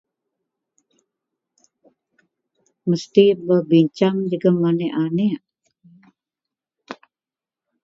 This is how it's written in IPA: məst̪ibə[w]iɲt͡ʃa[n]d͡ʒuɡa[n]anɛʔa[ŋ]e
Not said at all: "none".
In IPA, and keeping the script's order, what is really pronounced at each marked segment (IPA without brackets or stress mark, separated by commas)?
b, ŋ, m, n